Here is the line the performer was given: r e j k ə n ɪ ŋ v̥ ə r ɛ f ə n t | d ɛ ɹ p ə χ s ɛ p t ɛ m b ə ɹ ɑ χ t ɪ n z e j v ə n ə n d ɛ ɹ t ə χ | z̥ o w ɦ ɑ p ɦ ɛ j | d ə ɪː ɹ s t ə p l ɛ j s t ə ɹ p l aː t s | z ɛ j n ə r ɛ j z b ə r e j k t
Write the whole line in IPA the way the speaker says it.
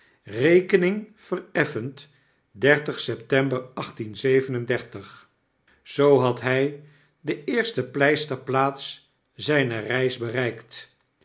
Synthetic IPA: r e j k ə n ɪ ŋ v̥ ə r ɛ f ə n t | d ɛ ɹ t ə χ s ɛ p t ɛ m b ə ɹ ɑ χ t i n z e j v ə n ə n d ɛ ɹ t ə χ | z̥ o w ɦ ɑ t ɦ ɛ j | d ə ɪː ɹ s t ə p l ɛ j s t ə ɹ p l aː t s | z ɛ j n ə r ɛ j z b ə r ɛ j k t